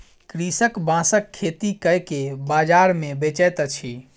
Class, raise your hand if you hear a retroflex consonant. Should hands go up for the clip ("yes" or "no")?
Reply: no